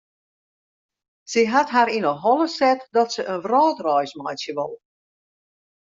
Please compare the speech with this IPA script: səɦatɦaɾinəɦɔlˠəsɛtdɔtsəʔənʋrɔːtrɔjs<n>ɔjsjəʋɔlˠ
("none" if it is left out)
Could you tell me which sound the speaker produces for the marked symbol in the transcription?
m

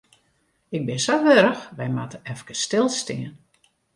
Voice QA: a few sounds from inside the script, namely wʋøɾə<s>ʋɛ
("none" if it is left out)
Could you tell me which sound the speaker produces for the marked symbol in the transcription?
x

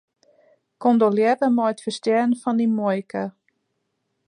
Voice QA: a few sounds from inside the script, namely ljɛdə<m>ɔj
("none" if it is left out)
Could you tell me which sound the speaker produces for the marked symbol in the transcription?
m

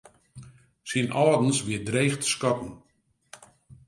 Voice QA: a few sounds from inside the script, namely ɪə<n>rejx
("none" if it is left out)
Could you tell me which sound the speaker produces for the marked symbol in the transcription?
d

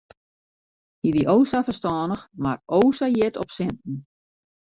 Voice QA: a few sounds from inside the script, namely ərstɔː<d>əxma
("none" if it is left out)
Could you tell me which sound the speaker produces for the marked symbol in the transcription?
n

